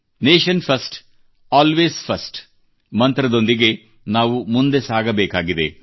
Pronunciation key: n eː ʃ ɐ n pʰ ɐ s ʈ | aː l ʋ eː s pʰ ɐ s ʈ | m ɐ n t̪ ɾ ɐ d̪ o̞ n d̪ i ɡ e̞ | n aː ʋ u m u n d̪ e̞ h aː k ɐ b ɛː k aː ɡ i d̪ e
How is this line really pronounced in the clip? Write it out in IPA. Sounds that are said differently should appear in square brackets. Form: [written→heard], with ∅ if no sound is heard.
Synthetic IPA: n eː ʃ ɐ n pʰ ɐ s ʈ | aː l ʋ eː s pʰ ɐ s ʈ | m ɐ n t̪ ɾ ɐ d̪ o̞ n d̪ i ɡ e̞ | n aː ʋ u m u n d̪ e̞ [h→s] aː [k→ɡ] ɐ b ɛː k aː ɡ i d̪ e